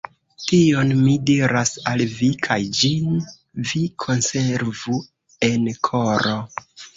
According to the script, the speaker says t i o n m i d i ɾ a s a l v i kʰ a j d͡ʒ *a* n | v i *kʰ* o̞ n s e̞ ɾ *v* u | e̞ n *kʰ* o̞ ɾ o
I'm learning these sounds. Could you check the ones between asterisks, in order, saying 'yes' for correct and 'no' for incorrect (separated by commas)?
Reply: no, yes, yes, yes